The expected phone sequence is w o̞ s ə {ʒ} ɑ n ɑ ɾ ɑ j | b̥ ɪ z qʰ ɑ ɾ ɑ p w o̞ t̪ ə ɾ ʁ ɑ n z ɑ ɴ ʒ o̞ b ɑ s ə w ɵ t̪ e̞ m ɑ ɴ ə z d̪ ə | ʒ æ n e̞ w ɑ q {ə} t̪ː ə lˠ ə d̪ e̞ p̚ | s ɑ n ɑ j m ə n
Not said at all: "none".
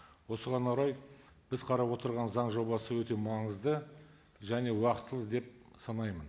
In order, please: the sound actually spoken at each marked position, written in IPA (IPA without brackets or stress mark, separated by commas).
ʁ, ə